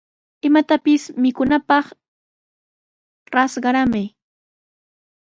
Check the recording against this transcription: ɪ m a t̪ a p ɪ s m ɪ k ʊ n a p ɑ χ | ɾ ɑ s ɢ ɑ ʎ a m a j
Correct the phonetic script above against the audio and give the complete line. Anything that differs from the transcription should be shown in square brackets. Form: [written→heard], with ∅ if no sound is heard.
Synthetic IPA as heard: ɪ m a t̪ a p ɪ s m ɪ k ʊ n a p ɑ χ | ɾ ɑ s ɢ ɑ [ʎ→ɾ] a m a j